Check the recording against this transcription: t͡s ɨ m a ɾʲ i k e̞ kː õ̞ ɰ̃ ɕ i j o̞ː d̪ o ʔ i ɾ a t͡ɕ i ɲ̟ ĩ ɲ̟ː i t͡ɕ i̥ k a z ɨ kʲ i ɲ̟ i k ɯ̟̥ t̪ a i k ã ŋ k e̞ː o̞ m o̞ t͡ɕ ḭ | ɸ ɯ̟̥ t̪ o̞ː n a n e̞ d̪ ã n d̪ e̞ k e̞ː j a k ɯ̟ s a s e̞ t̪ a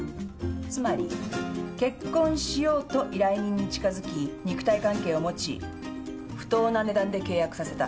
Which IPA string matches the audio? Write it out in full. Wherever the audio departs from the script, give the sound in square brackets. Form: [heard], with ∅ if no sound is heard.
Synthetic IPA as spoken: t͡s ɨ m a ɾʲ i k e̞ kː õ̞ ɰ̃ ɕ i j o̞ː [t̪] o ʔ i ɾ a [∅] i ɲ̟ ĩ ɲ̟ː i t͡ɕ i̥ k a z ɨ kʲ i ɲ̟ i k ɯ̟̥ t̪ a i k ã ŋ k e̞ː o̞ m o̞ t͡ɕ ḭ | ɸ ɯ̟̥ t̪ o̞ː n a n e̞ d̪ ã n d̪ e̞ k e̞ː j a k ɯ̟ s a s e̞ t̪ a